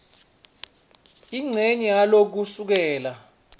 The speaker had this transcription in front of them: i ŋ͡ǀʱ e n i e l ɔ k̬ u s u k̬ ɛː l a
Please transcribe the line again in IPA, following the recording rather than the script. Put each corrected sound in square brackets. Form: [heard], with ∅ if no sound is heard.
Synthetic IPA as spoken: i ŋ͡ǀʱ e [ɲ] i [a] l [o] k̬ u s u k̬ ɛː l a